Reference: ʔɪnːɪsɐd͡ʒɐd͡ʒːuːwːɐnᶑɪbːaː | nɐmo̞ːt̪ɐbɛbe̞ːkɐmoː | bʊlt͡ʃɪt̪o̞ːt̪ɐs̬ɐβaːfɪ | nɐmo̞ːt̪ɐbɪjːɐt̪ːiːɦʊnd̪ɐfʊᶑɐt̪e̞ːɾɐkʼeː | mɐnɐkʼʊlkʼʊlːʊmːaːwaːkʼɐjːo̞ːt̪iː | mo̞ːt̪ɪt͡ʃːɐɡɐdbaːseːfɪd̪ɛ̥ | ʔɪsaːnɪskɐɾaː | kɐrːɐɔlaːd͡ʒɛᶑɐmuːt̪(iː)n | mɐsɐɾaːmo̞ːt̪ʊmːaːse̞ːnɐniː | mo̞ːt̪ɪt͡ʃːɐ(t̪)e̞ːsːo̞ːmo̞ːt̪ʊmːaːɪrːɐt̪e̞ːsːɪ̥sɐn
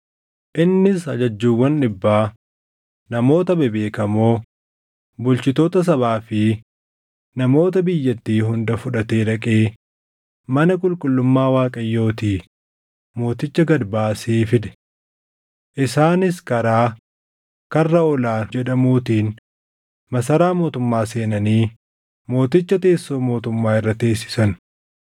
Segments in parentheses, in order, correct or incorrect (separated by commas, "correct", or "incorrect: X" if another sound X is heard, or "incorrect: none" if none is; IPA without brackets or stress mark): correct, correct